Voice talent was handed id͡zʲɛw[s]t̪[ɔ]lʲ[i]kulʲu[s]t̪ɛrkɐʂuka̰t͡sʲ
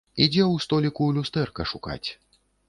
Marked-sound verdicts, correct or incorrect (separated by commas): correct, correct, correct, correct